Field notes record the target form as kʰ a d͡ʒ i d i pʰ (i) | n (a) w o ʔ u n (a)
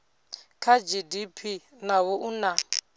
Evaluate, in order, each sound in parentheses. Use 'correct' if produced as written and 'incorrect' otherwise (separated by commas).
correct, correct, correct